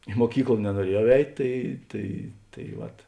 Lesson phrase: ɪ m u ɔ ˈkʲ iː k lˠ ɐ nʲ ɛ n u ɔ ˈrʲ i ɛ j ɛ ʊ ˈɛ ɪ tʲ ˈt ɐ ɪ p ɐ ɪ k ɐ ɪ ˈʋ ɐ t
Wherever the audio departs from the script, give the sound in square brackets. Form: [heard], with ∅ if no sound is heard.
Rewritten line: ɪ m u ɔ ˈkʲ iː k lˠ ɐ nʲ ɛ n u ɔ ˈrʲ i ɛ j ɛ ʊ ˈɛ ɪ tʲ ˈt ɐ ɪ [t] ɐ ɪ [t] ɐ ɪ ˈʋ ɐ t

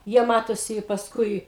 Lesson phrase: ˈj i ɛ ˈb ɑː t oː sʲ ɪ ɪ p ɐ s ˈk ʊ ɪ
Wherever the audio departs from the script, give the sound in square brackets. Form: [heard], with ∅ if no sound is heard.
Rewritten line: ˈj i ɛ [ˈm] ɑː t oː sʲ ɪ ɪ p ɐ s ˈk ʊ ɪ

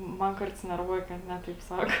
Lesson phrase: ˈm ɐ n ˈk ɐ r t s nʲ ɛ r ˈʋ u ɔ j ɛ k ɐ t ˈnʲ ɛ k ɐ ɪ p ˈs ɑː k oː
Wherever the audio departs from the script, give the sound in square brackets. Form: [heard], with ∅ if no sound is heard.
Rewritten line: ˈm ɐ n ˈk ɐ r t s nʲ ɛ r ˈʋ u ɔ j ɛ k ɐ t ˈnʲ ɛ [t] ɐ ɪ p ˈs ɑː k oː

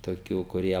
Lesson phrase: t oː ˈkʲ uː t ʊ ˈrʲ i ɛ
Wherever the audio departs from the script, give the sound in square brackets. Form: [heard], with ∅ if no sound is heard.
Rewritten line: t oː ˈkʲ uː [k] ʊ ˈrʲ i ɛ

